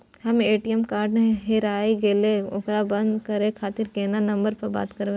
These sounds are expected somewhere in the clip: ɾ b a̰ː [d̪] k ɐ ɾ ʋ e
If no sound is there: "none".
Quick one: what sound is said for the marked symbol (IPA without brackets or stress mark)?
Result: t̪